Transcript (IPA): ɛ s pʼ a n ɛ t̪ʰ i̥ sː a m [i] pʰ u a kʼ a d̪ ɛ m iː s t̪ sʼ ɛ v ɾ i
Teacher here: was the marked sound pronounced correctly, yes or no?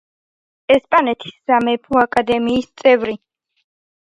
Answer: no